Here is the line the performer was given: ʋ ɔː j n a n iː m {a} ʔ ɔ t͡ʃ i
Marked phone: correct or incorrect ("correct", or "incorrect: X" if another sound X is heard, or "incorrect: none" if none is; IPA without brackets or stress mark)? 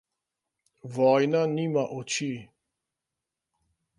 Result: correct